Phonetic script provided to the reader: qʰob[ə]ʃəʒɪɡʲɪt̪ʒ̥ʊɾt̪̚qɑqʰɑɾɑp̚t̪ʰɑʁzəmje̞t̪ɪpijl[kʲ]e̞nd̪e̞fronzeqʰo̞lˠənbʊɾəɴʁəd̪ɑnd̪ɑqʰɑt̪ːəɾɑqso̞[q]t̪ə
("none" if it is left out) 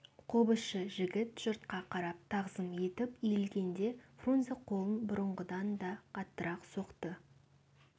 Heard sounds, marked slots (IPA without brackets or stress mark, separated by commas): ə, ɡʲ, q